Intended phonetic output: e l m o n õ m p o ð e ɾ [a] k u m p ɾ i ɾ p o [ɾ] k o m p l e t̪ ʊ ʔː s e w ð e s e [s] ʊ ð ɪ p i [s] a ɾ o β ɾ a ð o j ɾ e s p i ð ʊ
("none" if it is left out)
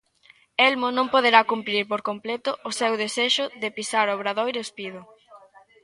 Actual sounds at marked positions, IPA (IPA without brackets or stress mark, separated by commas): a, ɾ, ʃ, s